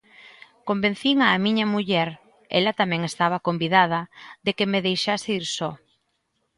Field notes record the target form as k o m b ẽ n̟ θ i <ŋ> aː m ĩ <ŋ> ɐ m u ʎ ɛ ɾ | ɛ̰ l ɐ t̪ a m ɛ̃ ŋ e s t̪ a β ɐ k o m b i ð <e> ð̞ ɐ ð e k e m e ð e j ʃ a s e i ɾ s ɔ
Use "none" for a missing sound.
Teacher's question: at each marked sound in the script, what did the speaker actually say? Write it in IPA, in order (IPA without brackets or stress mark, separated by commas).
ŋ, ɲ, a